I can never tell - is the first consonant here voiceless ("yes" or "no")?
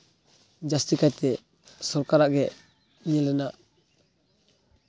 no